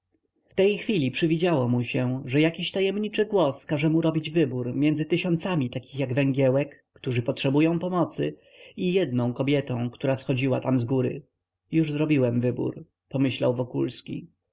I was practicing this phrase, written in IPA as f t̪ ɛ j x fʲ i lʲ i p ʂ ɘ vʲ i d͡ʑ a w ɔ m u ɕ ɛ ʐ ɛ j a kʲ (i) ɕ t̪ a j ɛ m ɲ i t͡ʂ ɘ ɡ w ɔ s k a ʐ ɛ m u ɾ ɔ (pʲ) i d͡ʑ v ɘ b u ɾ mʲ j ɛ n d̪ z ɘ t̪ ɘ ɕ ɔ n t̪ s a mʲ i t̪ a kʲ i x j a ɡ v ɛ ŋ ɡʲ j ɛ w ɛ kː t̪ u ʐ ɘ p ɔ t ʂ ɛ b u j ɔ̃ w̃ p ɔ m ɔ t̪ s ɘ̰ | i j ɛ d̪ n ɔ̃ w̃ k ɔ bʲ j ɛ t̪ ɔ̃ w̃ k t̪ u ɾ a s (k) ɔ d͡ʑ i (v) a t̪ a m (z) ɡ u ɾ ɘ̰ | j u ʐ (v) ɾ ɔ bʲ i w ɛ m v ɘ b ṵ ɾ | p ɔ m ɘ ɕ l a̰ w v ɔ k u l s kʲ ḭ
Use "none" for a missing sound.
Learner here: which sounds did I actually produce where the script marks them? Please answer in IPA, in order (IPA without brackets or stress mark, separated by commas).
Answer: i, bʲ, x, w, z, z